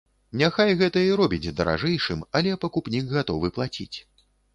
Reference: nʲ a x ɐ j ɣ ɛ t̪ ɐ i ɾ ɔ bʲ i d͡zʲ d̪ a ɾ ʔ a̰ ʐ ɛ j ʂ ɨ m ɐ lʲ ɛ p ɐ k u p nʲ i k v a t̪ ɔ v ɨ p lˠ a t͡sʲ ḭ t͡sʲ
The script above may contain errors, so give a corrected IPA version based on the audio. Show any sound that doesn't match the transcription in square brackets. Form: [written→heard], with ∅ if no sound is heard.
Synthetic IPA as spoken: nʲ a x [ɐ→a] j ɣ ɛ t̪ ɐ i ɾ ɔ bʲ i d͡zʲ d̪ [a→ɐ] ɾ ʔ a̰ ʐ ɛ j ʂ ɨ m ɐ lʲ ɛ p ɐ k u p nʲ i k [v→ɣ] a t̪ ɔ v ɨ p lˠ a t͡sʲ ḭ t͡sʲ